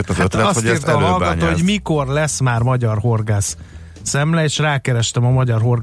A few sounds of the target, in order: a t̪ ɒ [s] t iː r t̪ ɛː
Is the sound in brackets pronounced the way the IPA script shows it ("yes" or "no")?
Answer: yes